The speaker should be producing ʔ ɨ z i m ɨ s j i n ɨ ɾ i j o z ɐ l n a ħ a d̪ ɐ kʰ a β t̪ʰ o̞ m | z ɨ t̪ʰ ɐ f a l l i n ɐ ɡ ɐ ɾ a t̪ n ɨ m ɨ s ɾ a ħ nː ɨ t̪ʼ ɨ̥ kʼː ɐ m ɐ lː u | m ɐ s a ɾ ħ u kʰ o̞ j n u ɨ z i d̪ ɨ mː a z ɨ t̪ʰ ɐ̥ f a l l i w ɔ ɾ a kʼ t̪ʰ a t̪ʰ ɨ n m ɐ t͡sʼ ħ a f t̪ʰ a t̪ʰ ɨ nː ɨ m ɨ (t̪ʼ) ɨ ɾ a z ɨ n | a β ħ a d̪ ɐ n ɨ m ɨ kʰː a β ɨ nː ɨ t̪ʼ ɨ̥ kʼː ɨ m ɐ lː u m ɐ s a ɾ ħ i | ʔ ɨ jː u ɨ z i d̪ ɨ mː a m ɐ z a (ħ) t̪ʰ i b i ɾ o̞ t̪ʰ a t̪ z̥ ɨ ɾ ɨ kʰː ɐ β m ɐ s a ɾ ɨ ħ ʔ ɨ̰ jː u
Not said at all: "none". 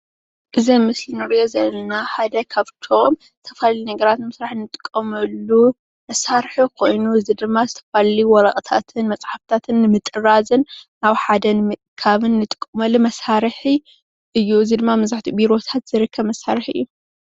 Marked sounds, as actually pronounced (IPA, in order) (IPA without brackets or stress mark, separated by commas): t̪ʼ, ħ